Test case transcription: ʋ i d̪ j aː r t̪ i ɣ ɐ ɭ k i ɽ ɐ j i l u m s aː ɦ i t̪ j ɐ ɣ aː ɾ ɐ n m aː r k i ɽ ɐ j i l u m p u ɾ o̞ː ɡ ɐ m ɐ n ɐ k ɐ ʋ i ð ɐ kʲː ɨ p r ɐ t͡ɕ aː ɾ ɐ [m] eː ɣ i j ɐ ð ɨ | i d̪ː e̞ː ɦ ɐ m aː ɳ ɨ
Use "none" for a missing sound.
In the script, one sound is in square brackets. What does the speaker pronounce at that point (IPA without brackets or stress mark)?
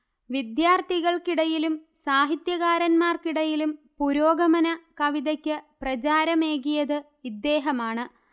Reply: m